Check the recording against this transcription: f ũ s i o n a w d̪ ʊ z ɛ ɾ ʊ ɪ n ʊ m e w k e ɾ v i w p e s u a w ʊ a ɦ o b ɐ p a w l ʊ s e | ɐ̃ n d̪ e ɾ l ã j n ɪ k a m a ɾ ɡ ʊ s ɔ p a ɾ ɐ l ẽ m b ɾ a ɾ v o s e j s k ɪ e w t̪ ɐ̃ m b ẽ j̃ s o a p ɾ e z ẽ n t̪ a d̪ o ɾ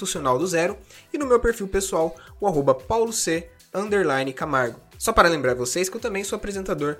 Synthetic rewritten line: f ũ s i o n a w d̪ ʊ z ɛ ɾ ʊ ɪ n ʊ m e w p e ɾ f i w p e s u a w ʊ a ɦ o b ɐ p a w l ʊ s e | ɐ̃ n d̪ e ɾ l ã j n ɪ k a m a ɾ ɡ ʊ s ɔ p a ɾ ɐ l ẽ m b ɾ a ɾ v o s e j s k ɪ e w t̪ ɐ̃ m b ẽ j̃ s o a p ɾ e z ẽ n t̪ a d̪ o ɾ